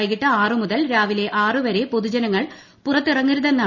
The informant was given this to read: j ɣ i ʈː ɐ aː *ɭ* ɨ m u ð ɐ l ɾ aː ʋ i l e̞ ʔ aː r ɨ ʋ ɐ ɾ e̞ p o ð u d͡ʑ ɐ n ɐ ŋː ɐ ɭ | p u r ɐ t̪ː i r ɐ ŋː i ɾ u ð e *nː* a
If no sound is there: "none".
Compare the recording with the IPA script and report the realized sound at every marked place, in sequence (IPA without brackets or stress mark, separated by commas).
r, nː